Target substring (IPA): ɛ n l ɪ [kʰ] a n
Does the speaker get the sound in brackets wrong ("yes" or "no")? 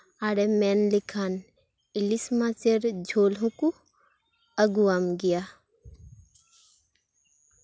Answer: no